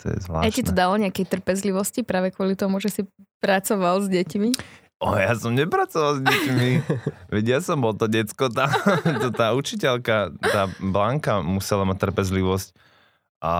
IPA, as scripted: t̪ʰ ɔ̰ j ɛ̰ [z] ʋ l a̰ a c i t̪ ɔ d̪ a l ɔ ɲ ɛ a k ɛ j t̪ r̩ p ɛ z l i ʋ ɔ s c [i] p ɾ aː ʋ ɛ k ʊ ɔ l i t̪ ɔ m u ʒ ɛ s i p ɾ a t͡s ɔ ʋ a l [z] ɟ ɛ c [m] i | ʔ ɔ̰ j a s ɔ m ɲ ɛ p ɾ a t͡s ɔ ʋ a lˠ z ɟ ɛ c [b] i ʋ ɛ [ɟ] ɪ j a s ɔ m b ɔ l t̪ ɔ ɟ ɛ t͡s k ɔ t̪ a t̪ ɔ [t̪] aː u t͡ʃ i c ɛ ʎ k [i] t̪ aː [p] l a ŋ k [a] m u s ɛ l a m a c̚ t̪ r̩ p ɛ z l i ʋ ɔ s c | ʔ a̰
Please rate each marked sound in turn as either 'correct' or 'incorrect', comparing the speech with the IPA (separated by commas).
correct, correct, correct, correct, incorrect, correct, correct, incorrect, incorrect, correct